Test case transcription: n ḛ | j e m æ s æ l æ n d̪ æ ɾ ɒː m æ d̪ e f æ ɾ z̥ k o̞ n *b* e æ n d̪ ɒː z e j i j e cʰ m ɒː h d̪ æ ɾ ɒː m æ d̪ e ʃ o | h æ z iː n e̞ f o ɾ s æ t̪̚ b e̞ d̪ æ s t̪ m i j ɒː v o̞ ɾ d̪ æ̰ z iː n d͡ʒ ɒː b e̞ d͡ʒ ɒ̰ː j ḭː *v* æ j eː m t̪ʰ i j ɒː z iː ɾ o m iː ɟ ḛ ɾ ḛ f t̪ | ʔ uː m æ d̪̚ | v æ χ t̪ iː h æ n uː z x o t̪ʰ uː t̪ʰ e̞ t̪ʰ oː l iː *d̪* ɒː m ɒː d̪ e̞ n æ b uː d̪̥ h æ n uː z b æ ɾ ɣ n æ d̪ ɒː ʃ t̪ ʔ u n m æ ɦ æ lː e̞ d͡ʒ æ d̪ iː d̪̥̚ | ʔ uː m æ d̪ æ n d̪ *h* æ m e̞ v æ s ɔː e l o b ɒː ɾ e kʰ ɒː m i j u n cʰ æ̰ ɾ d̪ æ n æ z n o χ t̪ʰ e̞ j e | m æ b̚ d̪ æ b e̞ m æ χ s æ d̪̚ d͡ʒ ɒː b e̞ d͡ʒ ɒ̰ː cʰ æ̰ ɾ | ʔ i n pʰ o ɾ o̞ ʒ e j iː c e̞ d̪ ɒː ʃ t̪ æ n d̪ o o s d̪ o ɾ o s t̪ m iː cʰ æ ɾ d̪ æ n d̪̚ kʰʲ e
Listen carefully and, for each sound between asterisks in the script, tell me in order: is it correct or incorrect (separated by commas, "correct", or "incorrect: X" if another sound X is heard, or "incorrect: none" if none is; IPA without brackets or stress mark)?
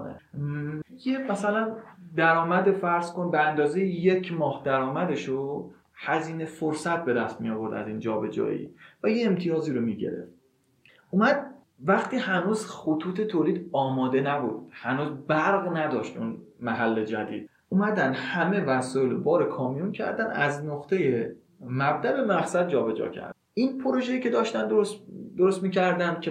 correct, correct, correct, correct